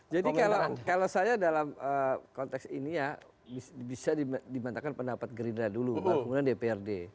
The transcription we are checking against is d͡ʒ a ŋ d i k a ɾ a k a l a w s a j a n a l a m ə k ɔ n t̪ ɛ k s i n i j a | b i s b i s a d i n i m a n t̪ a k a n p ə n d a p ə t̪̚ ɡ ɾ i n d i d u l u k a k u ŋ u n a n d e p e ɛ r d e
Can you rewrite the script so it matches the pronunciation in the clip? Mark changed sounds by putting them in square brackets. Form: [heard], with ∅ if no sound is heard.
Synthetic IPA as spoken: d͡ʒ a [∅] d i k a [l] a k a l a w s a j a [d] a l a m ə k ɔ n t̪ ɛ k s i n i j a | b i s b i s a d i [d] i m a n t̪ a k a n p ə n d a p [a] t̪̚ ɡ ɾ i n d [a] d u l u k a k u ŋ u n a n d e p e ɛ r d e